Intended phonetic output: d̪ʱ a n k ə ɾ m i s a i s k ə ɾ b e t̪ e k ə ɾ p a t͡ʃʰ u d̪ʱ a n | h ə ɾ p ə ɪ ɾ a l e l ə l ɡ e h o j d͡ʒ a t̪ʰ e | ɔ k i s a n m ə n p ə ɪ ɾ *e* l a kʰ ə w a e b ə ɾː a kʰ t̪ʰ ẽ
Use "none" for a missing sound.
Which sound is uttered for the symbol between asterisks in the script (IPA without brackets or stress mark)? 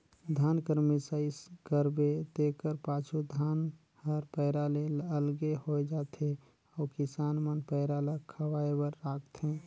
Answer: a